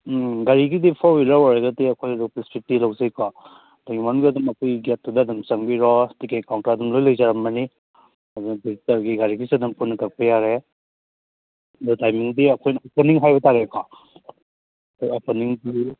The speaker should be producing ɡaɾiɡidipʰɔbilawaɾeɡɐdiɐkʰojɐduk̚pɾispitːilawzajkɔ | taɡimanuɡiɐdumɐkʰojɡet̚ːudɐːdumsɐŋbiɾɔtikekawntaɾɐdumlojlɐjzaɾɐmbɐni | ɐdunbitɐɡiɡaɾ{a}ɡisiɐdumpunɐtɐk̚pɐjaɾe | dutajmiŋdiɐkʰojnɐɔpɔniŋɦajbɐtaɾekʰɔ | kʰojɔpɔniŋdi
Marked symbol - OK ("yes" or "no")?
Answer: no